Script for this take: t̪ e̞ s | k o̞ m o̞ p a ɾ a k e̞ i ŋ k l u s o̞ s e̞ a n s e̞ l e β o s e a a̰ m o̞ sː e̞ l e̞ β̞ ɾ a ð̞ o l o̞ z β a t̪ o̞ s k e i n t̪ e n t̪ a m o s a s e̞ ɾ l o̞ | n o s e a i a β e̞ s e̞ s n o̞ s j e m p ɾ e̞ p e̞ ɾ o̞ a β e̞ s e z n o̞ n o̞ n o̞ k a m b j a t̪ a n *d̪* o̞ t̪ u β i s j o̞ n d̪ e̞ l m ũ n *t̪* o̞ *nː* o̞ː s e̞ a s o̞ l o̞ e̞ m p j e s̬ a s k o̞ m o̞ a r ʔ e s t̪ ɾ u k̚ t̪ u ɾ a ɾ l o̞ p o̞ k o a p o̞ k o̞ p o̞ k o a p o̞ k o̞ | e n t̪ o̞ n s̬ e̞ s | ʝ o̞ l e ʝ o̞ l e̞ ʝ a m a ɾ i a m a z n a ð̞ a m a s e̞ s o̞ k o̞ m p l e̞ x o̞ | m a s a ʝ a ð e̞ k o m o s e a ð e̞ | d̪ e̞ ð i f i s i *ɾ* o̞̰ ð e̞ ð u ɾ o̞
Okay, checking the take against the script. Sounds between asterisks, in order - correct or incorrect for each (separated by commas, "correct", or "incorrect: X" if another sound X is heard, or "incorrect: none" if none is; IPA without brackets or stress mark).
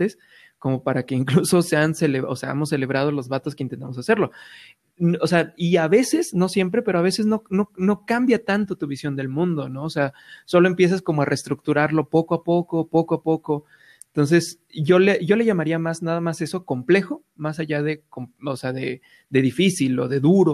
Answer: incorrect: t̪, incorrect: d̪, incorrect: n, incorrect: l